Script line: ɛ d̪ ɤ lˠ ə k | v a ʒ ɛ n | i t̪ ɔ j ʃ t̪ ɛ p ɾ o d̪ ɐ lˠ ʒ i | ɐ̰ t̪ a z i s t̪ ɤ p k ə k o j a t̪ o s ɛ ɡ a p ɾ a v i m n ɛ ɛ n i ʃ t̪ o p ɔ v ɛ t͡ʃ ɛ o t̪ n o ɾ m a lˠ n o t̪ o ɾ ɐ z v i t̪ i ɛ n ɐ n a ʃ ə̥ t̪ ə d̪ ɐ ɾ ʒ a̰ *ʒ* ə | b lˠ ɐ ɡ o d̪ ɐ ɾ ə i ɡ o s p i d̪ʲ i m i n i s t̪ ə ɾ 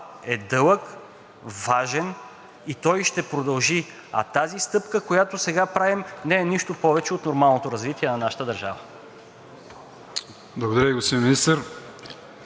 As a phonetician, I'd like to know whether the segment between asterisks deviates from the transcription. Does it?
yes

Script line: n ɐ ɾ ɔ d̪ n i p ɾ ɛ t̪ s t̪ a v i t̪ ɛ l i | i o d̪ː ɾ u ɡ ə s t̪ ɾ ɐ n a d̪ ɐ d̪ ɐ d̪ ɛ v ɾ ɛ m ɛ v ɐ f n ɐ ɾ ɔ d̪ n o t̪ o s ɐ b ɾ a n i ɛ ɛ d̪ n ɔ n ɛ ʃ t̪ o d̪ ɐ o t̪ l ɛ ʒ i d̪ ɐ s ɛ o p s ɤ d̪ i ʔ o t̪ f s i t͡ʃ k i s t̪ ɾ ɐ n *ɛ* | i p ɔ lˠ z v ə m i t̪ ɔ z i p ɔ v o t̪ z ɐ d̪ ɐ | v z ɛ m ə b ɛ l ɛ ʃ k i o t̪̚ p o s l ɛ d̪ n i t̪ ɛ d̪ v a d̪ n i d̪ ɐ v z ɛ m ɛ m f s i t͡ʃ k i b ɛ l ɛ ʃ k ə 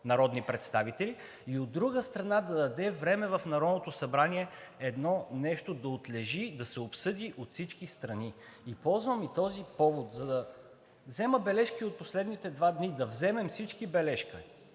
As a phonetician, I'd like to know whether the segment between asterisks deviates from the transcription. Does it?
yes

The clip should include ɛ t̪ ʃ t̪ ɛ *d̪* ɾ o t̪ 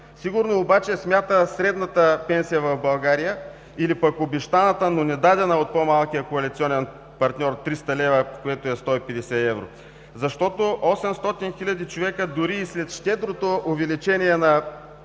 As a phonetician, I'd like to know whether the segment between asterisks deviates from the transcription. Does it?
no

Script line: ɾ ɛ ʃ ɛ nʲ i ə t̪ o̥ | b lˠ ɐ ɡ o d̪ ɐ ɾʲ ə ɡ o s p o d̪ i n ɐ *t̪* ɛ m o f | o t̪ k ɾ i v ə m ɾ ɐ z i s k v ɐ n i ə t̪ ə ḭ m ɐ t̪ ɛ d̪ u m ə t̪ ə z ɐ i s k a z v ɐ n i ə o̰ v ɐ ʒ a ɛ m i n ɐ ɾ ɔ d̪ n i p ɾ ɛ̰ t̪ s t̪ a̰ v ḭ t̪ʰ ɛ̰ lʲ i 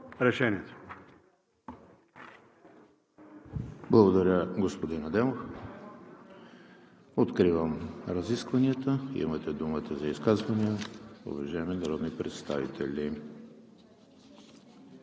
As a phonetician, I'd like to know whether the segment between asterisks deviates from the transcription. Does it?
yes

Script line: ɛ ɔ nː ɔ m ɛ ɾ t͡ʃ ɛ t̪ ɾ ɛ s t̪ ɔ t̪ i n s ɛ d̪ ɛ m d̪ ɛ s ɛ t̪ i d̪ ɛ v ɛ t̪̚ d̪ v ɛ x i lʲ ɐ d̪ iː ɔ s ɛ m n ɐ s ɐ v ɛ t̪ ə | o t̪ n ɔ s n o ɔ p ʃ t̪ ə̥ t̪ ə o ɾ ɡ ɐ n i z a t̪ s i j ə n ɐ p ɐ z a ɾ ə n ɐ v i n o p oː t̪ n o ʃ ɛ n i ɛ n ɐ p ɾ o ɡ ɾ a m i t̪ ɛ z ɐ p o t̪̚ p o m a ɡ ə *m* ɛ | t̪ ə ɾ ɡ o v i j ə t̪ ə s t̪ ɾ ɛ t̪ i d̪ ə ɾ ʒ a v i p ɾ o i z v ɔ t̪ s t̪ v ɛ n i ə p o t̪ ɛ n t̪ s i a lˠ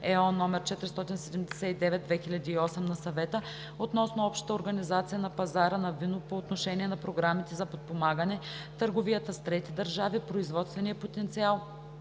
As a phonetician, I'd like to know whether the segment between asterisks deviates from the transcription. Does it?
yes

